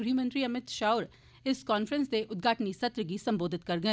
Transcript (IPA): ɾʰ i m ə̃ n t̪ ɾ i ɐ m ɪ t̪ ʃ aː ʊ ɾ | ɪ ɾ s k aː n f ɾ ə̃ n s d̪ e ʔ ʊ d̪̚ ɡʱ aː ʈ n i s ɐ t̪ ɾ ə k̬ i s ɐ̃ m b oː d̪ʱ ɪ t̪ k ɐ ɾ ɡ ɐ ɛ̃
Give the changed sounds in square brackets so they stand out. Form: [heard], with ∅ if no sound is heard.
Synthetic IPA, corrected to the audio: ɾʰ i m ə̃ n t̪ ɾ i ɐ m ɪ t̪ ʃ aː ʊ ɾ | ɪ [∅] s k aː n f ɾ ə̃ n s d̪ e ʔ ʊ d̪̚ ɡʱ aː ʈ n i s ɐ t̪ ɾ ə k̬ i s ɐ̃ m b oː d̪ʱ ɪ t̪ k ɐ ɾ ɡ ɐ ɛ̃